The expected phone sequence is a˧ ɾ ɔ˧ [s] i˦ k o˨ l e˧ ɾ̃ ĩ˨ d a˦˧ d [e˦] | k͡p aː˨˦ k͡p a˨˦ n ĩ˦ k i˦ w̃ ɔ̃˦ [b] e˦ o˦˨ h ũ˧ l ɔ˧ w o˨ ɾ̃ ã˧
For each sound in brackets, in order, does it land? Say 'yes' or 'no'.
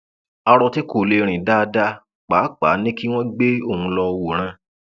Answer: no, no, no

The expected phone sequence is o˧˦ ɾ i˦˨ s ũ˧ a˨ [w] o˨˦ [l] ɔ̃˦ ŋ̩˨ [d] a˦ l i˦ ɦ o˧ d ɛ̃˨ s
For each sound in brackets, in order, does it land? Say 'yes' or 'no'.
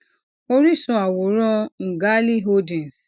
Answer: yes, no, no

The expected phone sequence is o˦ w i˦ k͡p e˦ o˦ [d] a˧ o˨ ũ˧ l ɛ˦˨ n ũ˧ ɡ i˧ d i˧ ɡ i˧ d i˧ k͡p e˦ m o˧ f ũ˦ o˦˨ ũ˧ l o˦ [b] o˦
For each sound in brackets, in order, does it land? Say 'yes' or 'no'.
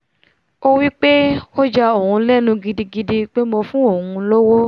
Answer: no, no

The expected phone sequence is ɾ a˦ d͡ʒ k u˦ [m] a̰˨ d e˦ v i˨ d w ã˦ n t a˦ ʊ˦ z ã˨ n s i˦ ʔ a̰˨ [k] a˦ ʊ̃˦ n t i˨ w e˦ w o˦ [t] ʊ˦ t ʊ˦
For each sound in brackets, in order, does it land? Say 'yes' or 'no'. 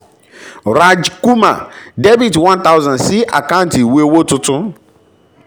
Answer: yes, yes, yes

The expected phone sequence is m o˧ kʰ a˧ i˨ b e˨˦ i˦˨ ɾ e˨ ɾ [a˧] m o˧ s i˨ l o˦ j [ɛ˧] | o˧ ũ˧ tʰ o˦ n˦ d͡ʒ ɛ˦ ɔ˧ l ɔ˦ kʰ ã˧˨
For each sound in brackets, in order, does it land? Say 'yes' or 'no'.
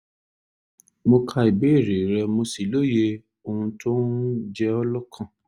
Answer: no, no

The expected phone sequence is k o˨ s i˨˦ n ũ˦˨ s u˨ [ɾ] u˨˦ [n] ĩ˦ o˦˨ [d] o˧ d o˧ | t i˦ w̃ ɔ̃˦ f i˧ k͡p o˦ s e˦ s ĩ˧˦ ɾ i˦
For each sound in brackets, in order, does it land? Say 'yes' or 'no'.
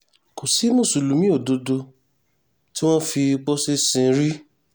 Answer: no, no, yes

